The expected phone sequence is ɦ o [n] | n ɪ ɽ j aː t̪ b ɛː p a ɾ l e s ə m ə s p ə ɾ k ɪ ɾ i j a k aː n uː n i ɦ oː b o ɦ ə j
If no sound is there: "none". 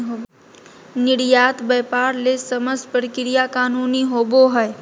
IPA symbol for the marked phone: none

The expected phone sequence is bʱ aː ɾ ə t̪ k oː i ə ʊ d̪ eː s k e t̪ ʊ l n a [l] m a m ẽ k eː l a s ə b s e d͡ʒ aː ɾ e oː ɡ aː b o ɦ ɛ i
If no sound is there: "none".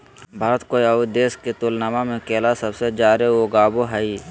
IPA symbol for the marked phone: none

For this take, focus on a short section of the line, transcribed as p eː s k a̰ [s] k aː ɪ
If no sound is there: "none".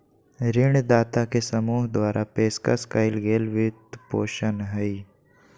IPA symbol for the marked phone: s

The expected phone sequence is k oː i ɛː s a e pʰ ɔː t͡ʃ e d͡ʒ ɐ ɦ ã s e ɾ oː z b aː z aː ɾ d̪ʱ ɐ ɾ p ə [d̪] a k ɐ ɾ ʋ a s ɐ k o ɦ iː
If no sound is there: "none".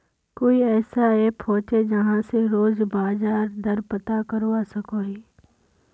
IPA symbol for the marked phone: t̪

